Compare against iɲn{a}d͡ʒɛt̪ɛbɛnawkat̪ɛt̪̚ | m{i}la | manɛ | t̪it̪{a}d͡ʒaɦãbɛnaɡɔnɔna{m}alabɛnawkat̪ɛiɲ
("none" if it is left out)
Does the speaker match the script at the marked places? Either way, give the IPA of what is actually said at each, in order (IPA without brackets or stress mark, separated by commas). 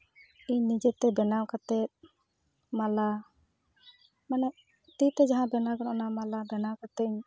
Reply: i, a, ɛ, m